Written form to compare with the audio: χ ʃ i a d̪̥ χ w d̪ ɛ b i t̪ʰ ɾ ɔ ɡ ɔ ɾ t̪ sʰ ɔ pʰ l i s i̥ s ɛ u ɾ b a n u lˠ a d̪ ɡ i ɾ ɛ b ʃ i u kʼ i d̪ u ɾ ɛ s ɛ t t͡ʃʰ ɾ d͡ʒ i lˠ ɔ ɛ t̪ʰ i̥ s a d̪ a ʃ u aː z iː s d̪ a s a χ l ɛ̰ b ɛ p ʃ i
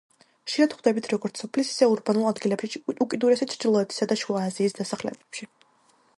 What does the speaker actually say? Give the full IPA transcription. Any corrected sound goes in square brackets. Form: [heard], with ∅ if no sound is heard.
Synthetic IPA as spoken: χ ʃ i a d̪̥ χ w d̪ ɛ b i t̪ʰ ɾ ɔ ɡ ɔ ɾ t̪ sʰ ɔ pʰ l i s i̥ s ɛ u ɾ b a n u lˠ a d̪ ɡ i [l] ɛ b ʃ i u kʼ i d̪ u ɾ ɛ s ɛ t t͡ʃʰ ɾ d͡ʒ i lˠ ɔ ɛ t̪ʰ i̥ s a d̪ a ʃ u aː z iː s d̪ a s a χ l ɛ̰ b ɛ p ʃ i